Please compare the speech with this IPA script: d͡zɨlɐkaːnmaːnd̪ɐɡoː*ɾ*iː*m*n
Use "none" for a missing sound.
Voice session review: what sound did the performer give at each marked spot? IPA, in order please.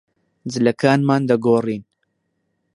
r, none

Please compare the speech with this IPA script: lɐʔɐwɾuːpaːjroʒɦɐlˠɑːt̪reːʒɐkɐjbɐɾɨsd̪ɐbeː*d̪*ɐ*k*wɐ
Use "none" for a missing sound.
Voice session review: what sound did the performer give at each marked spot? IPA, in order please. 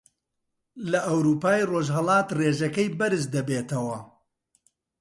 t̪, none

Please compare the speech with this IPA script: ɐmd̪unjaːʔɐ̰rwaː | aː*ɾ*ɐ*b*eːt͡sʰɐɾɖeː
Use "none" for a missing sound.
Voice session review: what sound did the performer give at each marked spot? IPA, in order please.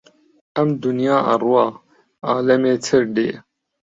l, m

